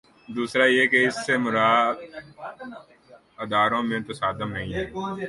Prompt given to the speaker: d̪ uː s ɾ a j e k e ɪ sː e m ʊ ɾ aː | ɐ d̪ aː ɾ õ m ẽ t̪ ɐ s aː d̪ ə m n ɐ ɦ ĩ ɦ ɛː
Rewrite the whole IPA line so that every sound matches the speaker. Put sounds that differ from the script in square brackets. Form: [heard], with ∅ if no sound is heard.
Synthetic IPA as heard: d̪ uː s ɾ a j e k e ɪ sː e m ʊ ɾ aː | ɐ d̪ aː ɾ õ m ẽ t̪ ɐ s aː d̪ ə m n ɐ ɦ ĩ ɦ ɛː